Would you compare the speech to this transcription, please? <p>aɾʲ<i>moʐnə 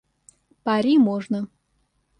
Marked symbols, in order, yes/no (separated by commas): yes, yes